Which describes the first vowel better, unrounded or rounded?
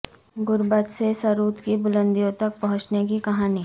rounded